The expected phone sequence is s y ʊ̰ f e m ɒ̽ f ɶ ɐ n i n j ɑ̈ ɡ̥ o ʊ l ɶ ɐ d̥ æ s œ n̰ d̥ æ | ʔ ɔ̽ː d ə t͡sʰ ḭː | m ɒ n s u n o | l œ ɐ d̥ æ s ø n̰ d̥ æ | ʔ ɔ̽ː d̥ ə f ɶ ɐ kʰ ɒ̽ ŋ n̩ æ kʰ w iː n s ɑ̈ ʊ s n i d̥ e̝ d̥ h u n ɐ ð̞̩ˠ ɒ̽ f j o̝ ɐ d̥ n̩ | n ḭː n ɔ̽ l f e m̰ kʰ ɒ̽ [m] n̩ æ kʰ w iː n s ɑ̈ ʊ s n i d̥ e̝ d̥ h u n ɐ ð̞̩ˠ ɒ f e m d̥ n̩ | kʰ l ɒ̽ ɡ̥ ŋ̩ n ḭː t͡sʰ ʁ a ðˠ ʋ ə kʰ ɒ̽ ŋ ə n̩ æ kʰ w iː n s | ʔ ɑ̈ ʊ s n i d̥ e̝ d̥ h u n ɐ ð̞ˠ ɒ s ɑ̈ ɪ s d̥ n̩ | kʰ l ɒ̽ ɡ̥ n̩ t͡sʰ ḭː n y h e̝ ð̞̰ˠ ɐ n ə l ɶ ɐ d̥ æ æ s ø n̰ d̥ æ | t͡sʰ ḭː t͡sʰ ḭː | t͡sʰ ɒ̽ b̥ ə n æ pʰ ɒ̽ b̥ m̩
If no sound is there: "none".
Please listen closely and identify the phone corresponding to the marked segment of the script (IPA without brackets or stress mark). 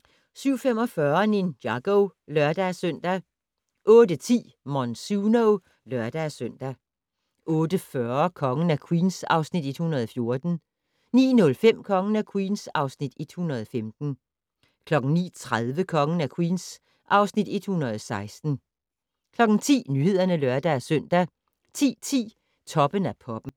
ŋ